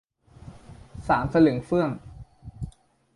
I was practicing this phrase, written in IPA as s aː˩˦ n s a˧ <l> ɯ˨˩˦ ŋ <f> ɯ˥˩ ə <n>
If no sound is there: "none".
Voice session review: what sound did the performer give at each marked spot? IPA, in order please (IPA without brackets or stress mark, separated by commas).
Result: l, f, ŋ